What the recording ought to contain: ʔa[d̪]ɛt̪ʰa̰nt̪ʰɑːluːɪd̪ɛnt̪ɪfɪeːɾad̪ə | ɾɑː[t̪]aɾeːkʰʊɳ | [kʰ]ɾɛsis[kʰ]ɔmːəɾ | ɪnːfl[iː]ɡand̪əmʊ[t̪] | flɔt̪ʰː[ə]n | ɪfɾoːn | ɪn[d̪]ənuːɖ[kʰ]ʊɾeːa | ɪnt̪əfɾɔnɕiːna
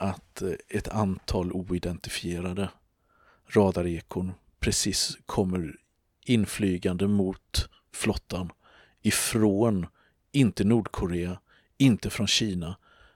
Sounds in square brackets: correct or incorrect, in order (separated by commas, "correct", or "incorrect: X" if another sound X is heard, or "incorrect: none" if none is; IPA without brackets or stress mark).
incorrect: t̪, incorrect: d̪, incorrect: pʰ, correct, incorrect: yː, correct, incorrect: a, incorrect: t̪, correct